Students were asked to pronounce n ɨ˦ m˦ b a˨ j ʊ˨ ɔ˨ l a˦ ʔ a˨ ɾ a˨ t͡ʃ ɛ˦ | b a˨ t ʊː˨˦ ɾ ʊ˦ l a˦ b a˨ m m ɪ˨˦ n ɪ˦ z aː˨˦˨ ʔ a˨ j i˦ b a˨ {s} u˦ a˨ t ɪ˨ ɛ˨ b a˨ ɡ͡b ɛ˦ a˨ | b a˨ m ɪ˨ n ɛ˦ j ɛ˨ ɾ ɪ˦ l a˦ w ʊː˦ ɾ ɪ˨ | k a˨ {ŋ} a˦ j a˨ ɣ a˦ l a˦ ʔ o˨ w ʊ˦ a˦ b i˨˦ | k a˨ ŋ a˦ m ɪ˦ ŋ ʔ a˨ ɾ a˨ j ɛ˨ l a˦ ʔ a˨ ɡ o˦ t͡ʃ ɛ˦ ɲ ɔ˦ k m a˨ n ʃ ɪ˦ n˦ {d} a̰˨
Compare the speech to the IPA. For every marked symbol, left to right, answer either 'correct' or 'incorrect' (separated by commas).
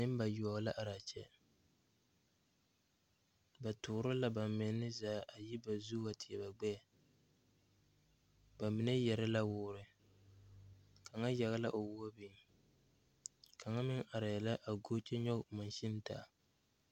incorrect, correct, incorrect